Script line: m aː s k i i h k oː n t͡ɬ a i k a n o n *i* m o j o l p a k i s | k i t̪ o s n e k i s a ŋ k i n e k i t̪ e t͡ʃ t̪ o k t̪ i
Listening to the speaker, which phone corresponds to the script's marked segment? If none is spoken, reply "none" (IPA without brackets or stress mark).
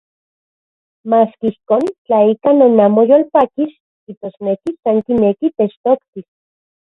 a